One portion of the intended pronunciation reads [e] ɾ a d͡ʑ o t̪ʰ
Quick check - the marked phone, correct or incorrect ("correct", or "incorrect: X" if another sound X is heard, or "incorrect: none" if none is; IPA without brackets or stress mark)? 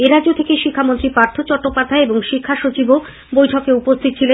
correct